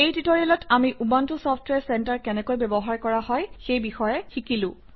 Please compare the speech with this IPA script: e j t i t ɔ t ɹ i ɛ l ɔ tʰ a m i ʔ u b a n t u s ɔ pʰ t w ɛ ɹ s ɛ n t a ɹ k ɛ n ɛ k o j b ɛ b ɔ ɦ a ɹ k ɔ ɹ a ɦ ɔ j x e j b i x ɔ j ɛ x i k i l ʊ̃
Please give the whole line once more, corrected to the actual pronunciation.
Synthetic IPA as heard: e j t i t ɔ ɹ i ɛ l ɔ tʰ a m i ʔ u b a n t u s ɔ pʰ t w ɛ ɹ s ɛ n t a ɹ k ɛ n ɛ k o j b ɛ b ɔ ɦ a ɹ k ɔ ɹ a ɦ ɔ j x e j b i x ɔ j ɛ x i k i l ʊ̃

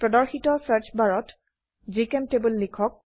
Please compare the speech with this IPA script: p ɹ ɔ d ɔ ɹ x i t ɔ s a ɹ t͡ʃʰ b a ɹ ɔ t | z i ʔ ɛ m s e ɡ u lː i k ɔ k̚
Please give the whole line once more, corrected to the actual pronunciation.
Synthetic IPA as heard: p ɹ ɔ d ɔ ɹ x i t ɔ s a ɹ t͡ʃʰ b a ɹ ɔ t | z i k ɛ m t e b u lː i kʰ ɔ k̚

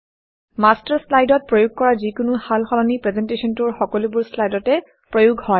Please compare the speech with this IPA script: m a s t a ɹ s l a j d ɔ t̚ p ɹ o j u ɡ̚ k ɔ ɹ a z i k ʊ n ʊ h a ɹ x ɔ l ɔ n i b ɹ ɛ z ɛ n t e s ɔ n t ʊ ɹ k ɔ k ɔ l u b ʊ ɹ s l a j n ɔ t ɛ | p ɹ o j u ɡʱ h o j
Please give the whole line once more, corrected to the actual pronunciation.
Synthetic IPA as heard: m a s t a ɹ s l a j d ɔ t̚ p ɹ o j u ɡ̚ k ɔ ɹ a z i k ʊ n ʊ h a l x ɔ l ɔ n i p ɹ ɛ z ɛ n t e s ɔ n t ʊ ɹ x ɔ k ɔ l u b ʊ ɹ s l a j d ɔ t ɛ | p ɹ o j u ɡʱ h ɔ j

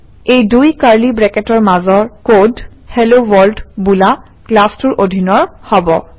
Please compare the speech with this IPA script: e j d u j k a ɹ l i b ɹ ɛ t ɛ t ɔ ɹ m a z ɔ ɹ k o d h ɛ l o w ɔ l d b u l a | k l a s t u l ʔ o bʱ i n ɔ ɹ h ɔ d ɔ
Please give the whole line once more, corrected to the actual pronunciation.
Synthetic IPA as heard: e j d u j k a ɹ l i b ɹ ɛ k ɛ t ɔ ɹ m a z ɔ ɹ k o d h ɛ l o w ɔ l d b u l a | k l a s t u ɹ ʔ o dʱ i n ɔ ɹ h ɔ b ɔ

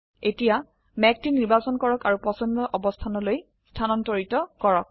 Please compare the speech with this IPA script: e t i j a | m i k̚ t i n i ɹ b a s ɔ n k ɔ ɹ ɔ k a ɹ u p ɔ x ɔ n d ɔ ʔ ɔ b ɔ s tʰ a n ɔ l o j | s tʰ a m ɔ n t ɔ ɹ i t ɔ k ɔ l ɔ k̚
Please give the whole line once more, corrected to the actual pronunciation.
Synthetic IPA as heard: e t i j a | m ɛ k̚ t i n i ɹ b a s ɔ n k ɔ ɹ ɔ k a ɹ u p ɔ s ɔ n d ɔ ʔ ɔ b ɔ s tʰ a n ɔ l o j | s tʰ a n ɔ n t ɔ ɹ i t ɔ k ɔ ɹ ɔ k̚

